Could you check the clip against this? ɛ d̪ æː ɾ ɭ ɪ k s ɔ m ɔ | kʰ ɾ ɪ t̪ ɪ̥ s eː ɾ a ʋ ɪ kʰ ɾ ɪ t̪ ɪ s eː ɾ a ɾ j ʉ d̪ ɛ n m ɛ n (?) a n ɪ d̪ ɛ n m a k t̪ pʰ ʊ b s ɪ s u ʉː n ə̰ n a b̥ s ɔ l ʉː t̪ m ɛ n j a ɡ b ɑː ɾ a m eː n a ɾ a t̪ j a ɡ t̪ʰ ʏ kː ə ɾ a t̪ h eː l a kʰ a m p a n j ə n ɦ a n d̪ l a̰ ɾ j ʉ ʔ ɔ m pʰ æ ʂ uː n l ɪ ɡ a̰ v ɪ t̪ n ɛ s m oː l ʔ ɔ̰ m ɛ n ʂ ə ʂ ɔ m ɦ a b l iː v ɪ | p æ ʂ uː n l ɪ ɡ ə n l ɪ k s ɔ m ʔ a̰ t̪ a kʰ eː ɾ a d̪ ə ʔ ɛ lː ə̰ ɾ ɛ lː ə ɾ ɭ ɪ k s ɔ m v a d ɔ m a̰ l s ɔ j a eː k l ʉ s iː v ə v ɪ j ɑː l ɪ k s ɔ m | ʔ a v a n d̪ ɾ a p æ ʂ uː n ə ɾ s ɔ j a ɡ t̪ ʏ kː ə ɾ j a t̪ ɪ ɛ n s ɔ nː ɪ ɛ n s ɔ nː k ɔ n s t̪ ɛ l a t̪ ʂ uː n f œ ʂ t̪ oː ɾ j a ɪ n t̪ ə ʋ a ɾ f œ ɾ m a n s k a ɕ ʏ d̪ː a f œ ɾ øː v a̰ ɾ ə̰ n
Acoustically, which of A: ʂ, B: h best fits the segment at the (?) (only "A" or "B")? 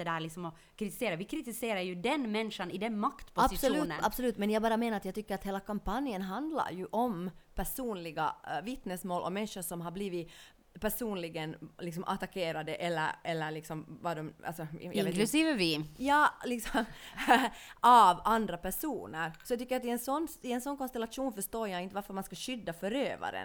A